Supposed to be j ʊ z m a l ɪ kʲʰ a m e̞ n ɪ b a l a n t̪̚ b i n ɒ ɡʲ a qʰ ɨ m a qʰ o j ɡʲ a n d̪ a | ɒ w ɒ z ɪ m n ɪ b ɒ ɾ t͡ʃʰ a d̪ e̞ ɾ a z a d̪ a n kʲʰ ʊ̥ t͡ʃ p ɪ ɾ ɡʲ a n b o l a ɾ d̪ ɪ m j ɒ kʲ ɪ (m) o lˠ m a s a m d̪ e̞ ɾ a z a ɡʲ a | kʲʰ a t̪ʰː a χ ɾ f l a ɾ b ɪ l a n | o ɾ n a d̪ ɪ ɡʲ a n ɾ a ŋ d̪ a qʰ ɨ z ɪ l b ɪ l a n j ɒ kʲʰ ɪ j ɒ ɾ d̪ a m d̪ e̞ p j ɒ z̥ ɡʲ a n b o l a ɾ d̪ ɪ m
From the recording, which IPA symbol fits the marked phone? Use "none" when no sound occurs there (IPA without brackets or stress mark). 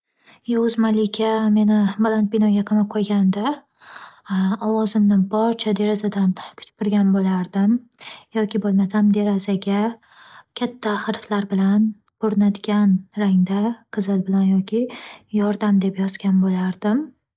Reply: b